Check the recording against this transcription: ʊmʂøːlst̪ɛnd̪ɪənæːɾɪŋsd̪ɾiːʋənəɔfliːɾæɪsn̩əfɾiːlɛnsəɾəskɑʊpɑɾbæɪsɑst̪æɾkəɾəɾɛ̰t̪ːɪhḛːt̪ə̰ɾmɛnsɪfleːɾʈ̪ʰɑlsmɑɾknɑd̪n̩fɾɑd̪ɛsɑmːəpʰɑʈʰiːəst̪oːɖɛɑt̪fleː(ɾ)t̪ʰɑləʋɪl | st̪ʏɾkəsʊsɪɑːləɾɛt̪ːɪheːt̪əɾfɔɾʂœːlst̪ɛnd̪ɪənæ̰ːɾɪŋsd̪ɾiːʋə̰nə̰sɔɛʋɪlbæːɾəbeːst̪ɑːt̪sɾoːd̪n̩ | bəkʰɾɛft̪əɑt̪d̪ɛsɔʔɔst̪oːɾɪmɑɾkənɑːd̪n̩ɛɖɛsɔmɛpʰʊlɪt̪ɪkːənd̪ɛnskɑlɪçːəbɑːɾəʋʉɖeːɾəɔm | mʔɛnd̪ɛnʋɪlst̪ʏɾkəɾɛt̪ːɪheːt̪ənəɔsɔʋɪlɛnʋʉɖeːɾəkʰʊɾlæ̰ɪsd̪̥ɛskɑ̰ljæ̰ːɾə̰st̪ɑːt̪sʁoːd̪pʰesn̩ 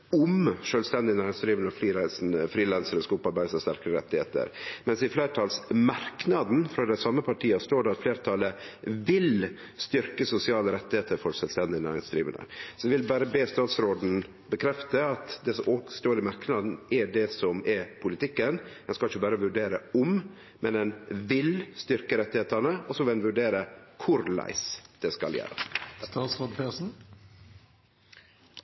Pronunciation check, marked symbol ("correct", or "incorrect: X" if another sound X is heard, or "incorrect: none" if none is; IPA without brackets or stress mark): correct